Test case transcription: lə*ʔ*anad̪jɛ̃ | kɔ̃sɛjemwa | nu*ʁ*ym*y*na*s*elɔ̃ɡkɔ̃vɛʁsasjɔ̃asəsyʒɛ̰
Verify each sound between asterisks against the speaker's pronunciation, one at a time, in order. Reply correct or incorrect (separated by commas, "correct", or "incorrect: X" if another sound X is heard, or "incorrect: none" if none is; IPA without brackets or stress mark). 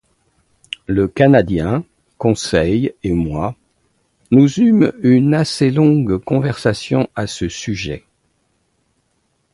incorrect: k, incorrect: z, correct, correct